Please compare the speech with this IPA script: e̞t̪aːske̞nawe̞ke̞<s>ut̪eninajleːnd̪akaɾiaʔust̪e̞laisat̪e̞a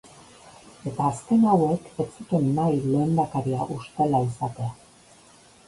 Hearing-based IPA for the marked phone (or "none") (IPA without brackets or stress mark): t͡s